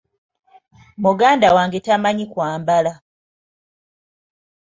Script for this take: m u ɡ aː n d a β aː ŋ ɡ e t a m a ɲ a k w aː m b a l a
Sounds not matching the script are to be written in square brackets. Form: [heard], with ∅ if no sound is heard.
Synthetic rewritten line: m u ɡ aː n d a [w] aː ŋ ɡ e t a m a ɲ [i] k w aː m b a l a